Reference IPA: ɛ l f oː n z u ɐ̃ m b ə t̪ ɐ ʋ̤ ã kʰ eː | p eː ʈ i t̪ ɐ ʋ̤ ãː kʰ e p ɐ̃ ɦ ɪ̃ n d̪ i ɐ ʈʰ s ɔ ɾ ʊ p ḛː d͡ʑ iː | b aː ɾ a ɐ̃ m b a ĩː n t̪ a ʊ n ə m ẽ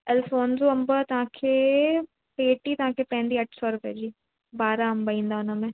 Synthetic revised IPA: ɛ l f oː n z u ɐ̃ m b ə t̪ ɐ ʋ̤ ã kʰ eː | p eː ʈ i t̪ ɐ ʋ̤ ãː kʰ e p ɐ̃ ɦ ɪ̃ n d̪ i ɐ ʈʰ s ɔ ɾ ʊ p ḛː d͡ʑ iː | b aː ɾ a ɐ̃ m b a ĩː n d̪ a ʊ n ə m ẽ